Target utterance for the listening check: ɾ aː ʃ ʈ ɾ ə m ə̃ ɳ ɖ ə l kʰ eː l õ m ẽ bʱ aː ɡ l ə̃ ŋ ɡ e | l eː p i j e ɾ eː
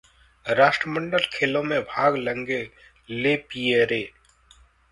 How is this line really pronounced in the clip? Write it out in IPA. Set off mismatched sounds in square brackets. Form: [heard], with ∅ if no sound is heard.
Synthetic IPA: ɾ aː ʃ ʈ ɾ ə m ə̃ ɳ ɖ ə l kʰ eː l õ m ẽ bʱ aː ɡ l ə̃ ŋ ɡ e | l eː p i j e ɾ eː